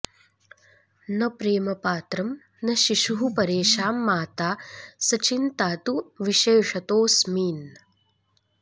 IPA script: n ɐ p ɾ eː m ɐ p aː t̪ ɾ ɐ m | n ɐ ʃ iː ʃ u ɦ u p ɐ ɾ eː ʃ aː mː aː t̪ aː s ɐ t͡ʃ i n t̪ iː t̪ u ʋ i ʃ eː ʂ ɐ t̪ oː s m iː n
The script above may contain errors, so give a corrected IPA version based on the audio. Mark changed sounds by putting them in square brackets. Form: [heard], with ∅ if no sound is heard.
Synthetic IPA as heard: n ɐ p ɾ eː m ɐ p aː t̪ ɾ ɐ m | n ɐ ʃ [i] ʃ u ɦ u p ɐ ɾ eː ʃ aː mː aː t̪ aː s ɐ t͡ʃ i n t̪ [aː] t̪ u ʋ i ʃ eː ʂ ɐ t̪ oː s m iː n

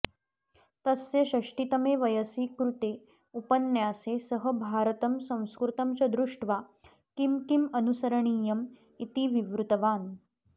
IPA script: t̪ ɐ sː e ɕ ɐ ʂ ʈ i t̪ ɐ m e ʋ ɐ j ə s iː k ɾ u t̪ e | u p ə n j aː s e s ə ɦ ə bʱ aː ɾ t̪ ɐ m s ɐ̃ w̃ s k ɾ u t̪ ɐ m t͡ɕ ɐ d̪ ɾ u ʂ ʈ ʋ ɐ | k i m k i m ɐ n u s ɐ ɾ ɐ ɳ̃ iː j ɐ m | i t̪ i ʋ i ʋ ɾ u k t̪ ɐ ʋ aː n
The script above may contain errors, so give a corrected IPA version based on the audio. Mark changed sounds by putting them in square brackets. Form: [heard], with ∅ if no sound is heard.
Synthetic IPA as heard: t̪ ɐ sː e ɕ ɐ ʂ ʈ i t̪ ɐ m e ʋ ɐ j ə s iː k ɾ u t̪ e | u p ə n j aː s e s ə ɦ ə bʱ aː ɾ t̪ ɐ m s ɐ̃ w̃ s k ɾ u t̪ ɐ m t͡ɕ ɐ d̪ ɾ u ʂ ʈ ʋ [a] | k i m k i m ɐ n u s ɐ ɾ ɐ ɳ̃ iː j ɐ m | i t̪ i ʋ i ʋ ɾ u [∅] t̪ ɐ ʋ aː n

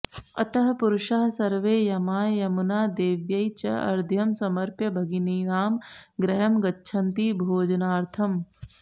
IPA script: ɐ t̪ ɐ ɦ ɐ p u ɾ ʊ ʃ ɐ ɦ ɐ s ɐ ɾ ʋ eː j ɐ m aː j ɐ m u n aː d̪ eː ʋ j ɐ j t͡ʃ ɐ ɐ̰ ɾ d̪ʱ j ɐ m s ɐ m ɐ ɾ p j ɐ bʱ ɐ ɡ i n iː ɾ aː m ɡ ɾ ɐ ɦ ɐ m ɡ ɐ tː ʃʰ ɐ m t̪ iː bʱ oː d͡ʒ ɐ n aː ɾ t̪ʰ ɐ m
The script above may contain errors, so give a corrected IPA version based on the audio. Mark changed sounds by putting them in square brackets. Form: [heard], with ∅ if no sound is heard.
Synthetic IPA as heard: ɐ t̪ ɐ ɦ ɐ p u ɾ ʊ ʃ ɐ ɦ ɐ s ɐ ɾ ʋ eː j ɐ m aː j ɐ m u n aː d̪ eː ʋ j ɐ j t͡ʃ ɐ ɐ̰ ɾ d̪ʱ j ɐ m s ɐ m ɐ ɾ p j ɐ bʱ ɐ ɡ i n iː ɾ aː m ɡ ɾ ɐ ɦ ɐ m ɡ ɐ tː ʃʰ ɐ [n] t̪ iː bʱ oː d͡ʒ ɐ n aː ɾ t̪ʰ ɐ m

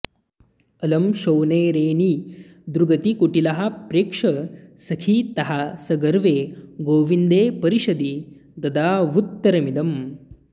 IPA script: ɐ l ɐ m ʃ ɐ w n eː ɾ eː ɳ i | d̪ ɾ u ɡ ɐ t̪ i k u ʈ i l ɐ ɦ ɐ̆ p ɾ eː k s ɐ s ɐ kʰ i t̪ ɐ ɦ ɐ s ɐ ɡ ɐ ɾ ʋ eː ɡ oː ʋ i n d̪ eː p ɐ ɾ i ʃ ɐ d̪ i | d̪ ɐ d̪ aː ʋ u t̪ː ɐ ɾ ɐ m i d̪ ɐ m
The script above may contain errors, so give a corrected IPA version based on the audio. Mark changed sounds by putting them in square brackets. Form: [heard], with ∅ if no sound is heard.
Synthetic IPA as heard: ɐ l ɐ m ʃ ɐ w n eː ɾ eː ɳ i | d̪ ɾ u ɡ ɐ t̪ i k u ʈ i l ɐ ɦ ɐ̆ p ɾ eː k [ʂ] ɐ s ɐ kʰ i t̪ ɐ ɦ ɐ s ɐ ɡ ɐ ɾ ʋ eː ɡ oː ʋ i n d̪ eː p ɐ ɾ i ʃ ɐ d̪ i | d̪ ɐ d̪ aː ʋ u t̪ː ɐ ɾ ɐ m i d̪ ɐ m

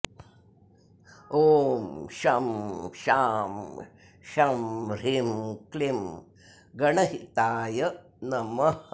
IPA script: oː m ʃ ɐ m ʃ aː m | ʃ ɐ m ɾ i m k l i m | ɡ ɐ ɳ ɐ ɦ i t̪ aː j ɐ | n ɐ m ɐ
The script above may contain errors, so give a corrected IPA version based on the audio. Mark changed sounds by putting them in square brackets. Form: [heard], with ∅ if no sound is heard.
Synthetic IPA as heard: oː m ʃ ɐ m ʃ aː m | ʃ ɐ m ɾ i m k l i m | ɡ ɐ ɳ ɐ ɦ i t̪ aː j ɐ | n ɐ m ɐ

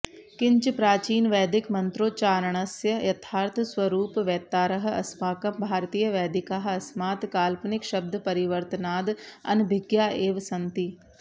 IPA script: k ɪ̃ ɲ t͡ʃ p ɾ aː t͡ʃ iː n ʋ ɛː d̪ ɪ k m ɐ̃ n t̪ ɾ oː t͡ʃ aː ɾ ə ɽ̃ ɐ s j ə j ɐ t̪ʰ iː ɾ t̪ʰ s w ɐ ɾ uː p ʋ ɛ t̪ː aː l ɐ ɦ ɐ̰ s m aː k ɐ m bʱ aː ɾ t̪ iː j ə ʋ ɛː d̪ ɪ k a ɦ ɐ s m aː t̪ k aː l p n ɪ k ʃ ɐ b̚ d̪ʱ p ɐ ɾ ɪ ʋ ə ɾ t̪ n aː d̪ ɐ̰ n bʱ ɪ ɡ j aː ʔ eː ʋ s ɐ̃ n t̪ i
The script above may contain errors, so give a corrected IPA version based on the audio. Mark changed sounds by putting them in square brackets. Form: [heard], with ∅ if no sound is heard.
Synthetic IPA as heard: k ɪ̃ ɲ t͡ʃ p ɾ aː t͡ʃ iː n ʋ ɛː d̪ ɪ k m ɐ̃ n t̪ ɾ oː t͡ʃ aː ɾ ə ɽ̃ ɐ s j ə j ɐ t̪ʰ [aː] ɾ t̪ʰ s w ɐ ɾ uː p ʋ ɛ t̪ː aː [ɾ] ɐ ɦ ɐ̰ s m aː k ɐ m bʱ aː ɾ t̪ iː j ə ʋ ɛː d̪ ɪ k a ɦ ɐ s m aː t̪ k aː l p n ɪ k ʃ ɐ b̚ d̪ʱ p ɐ ɾ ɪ ʋ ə ɾ t̪ n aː d̪ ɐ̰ n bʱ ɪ ɡ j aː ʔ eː ʋ s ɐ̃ n t̪ i

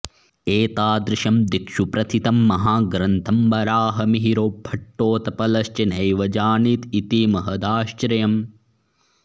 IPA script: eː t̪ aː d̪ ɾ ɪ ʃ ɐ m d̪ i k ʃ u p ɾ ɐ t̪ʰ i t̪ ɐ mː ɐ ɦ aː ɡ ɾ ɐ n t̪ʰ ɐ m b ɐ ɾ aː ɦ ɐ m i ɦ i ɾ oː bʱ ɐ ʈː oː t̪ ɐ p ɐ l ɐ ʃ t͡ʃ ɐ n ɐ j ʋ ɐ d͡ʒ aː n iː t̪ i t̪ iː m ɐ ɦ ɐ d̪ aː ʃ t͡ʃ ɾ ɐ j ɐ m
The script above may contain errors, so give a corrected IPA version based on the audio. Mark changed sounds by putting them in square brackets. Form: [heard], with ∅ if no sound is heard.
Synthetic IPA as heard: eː t̪ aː d̪ ɾ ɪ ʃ ɐ m d̪ i k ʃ u p ɾ ɐ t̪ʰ i t̪ ɐ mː ɐ ɦ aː ɡ ɾ ɐ n t̪ʰ ɐ m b ɐ ɾ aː ɦ ɐ m i ɦ i ɾ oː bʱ ɐ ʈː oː t̪ ɐ p ɐ l ɐ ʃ t͡ʃ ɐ n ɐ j ʋ ɐ d͡ʒ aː n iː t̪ i t̪ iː m ɐ ɦ ɐ d̪ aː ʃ t͡ʃ ɾ ɐ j ɐ m

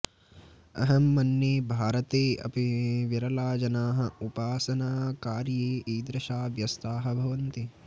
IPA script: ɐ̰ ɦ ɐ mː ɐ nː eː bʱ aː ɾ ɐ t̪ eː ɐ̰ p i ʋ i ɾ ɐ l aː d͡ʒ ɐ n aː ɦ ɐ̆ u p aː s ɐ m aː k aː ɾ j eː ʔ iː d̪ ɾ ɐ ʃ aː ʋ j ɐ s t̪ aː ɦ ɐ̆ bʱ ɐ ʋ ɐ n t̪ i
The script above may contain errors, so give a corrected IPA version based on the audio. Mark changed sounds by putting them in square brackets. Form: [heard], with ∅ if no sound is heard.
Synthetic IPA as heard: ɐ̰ ɦ ɐ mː ɐ nː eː bʱ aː ɾ ɐ t̪ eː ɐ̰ p i ʋ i ɾ ɐ l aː d͡ʒ ɐ n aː ɦ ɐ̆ u p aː s ɐ [n] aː k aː ɾ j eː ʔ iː d̪ ɾ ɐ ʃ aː ʋ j ɐ s t̪ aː ɦ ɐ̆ bʱ ɐ ʋ ɐ n t̪ i

